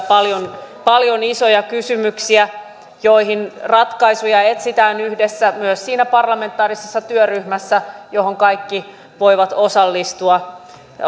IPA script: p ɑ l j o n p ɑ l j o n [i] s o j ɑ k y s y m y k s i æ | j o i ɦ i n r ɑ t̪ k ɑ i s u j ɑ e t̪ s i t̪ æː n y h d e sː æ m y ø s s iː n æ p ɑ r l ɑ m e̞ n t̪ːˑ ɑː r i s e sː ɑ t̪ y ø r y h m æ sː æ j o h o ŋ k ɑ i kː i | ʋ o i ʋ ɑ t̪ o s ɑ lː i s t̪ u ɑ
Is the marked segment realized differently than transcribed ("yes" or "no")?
no